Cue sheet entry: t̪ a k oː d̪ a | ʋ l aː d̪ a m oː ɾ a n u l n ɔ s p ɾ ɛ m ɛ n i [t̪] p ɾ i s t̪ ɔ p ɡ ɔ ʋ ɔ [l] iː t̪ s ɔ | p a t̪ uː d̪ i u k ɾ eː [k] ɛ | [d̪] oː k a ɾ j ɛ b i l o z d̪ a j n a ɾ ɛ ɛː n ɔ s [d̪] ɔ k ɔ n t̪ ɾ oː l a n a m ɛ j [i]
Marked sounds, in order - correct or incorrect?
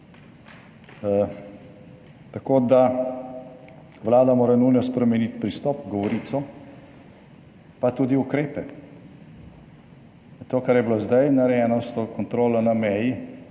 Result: correct, incorrect: ɾ, incorrect: p, incorrect: t̪, incorrect: t̪, correct

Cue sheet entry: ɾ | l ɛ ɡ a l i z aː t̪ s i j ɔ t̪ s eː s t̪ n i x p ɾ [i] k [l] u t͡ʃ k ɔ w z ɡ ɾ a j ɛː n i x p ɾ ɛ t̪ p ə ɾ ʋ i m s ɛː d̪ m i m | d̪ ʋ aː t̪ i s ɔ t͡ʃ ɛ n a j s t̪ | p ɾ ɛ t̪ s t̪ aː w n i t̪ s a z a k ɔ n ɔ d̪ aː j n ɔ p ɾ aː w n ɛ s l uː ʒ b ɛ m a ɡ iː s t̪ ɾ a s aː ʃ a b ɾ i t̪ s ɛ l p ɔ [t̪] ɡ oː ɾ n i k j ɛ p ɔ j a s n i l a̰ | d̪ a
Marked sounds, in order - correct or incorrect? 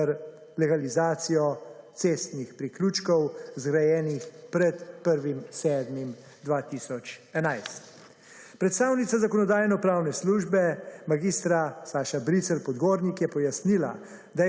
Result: correct, correct, incorrect: d̪

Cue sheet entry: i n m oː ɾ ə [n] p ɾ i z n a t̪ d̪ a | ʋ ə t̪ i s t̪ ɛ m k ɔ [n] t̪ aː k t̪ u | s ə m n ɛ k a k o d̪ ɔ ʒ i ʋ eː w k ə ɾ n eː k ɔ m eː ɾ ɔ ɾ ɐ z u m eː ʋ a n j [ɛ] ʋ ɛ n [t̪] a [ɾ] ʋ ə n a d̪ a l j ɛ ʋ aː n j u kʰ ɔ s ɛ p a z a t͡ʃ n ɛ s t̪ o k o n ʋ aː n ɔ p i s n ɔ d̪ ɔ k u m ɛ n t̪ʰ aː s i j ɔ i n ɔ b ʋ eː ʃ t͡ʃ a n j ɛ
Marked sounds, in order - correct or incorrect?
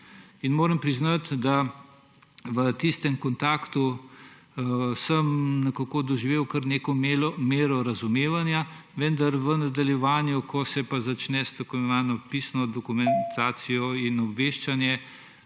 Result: incorrect: m, correct, incorrect: a, incorrect: d̪, correct

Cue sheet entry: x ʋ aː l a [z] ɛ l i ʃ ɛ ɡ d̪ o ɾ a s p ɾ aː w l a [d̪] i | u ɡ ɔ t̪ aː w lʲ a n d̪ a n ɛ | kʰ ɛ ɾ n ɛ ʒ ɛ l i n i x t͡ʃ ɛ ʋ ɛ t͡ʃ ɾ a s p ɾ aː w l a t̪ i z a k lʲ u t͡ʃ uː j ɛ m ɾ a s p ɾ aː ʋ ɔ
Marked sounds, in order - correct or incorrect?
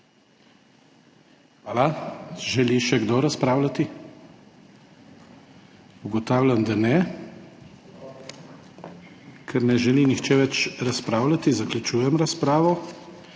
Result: incorrect: ʒ, incorrect: t̪

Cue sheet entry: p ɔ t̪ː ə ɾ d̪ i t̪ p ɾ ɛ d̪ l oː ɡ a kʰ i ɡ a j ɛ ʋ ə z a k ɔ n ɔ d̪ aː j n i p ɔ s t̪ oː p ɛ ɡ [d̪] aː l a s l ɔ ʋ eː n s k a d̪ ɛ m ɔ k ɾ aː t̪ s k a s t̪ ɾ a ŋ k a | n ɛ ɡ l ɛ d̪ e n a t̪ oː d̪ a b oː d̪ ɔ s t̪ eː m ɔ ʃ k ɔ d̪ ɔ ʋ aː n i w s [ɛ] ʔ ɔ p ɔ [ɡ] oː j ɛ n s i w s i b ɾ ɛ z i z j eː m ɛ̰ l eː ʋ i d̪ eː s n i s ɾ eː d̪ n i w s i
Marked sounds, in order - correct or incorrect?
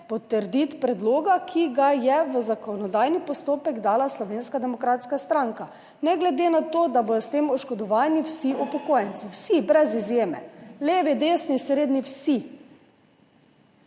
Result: correct, incorrect: i, incorrect: k

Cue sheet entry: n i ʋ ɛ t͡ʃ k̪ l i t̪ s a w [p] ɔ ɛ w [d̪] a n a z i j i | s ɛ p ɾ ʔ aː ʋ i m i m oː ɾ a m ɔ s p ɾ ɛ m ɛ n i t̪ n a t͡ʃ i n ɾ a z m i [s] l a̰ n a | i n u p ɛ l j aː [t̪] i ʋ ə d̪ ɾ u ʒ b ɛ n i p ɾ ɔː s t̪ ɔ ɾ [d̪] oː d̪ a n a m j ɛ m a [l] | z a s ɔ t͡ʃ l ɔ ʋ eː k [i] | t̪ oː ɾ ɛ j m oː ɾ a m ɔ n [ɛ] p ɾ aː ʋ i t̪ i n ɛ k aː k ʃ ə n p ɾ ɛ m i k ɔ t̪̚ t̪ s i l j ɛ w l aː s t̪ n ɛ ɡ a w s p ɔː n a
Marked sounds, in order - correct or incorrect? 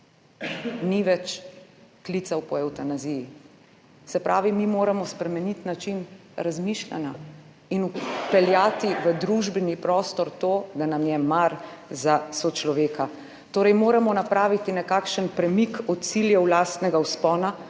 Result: correct, incorrect: t̪, incorrect: ʃ, correct, incorrect: t̪, incorrect: ɾ, incorrect: a, incorrect: a

